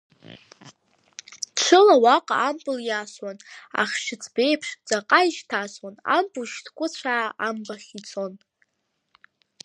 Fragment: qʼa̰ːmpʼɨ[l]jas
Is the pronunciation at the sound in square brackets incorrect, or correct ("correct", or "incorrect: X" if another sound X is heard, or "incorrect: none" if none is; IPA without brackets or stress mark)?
correct